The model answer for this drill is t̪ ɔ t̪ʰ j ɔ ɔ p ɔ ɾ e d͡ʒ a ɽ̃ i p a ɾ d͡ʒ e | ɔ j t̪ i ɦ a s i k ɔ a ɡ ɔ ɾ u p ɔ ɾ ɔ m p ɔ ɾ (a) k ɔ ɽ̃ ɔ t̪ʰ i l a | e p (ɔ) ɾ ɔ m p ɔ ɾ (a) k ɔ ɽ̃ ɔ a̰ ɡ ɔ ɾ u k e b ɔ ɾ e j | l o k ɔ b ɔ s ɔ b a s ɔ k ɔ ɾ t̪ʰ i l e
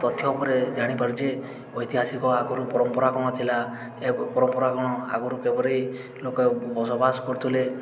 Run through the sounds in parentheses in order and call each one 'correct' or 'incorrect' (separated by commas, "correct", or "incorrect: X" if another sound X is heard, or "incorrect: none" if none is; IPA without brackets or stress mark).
correct, correct, correct